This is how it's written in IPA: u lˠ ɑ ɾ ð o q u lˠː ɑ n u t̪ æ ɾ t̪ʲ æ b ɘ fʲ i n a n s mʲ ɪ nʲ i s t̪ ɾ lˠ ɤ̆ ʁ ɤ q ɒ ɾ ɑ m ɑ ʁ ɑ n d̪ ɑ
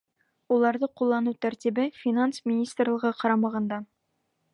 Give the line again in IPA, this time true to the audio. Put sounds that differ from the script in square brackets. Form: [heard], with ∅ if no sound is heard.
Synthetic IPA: u lˠ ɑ ɾ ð [ɤ] q u lˠː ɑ n u t̪ æ ɾ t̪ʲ [i] b ɘ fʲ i n a n s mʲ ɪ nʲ i s t̪ [r] lˠ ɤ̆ ʁ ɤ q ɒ ɾ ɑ m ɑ ʁ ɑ n d̪ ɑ